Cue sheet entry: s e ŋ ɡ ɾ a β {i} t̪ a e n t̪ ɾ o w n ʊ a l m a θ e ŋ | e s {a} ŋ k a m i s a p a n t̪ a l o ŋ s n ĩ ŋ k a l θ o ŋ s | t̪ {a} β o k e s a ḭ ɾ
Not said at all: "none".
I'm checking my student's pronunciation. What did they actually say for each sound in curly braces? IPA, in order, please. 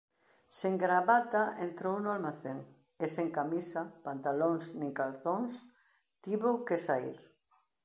a, e, i

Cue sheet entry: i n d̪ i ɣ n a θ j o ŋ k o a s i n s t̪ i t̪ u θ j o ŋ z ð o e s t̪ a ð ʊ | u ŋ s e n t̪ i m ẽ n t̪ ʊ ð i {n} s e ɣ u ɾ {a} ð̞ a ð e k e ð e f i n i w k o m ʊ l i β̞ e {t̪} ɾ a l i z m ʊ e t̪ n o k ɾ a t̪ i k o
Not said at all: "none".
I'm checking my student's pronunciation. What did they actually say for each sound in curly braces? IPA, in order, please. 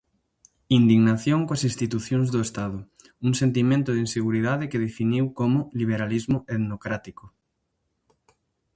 n, i, none

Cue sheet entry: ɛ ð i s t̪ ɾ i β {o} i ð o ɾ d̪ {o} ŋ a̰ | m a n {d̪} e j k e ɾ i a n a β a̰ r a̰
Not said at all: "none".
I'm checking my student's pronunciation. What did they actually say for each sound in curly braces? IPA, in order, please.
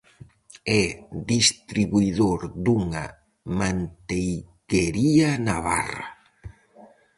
u, u, t̪

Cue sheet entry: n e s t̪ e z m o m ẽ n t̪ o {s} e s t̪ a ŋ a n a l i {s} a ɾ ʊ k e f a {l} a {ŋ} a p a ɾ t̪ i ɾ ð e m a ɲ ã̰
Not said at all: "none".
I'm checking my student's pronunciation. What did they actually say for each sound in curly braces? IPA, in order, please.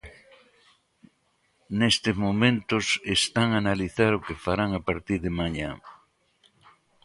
s, θ, ɾ, ŋ

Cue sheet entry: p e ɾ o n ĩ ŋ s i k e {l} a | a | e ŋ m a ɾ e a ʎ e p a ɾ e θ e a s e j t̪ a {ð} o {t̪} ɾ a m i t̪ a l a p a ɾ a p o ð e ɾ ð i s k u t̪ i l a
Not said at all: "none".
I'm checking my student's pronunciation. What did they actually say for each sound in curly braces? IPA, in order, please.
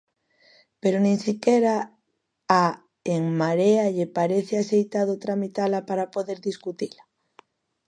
ɾ, ð, t̪

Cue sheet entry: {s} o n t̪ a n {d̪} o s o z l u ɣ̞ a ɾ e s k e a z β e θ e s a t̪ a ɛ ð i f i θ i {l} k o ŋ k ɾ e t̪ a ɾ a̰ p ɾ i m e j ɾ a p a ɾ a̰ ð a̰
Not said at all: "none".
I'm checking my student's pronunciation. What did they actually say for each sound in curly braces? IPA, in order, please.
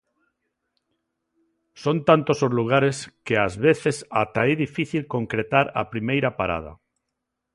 s, t̪, l

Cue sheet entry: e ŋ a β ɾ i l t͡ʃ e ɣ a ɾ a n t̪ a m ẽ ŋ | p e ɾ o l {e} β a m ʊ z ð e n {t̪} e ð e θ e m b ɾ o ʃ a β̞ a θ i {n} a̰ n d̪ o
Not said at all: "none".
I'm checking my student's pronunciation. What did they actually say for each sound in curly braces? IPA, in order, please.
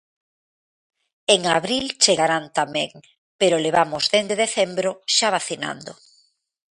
e, d̪, n

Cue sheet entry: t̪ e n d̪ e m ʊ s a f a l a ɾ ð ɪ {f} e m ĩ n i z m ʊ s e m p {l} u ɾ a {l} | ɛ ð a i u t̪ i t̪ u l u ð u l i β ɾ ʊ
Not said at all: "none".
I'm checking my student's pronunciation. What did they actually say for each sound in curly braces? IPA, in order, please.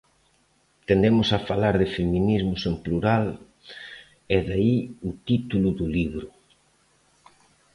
f, l, l

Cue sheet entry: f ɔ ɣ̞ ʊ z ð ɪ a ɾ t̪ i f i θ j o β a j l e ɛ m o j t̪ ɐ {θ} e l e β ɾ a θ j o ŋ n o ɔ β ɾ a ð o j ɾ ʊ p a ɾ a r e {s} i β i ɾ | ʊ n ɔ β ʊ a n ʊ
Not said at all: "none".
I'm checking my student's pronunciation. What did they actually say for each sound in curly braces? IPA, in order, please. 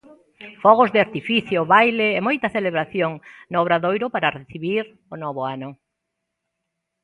θ, θ

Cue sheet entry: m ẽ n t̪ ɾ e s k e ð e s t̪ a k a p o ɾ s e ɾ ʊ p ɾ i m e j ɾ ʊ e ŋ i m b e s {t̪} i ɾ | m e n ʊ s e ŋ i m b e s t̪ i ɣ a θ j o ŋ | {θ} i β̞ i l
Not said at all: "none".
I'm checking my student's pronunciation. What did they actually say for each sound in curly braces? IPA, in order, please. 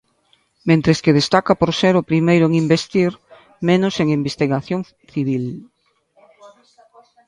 t̪, θ

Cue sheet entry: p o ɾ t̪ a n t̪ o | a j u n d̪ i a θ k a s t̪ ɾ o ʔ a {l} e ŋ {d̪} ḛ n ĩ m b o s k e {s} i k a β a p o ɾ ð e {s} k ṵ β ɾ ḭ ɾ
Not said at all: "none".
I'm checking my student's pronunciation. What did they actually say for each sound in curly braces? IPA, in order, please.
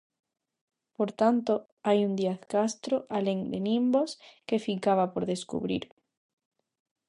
l, d̪, f, s

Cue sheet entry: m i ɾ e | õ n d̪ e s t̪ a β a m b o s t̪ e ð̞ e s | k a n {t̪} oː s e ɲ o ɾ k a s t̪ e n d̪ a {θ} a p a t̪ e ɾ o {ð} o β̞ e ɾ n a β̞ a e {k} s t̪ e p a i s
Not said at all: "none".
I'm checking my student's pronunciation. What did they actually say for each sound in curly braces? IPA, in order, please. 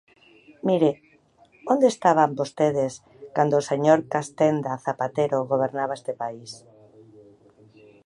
d̪, θ, ɣ, none

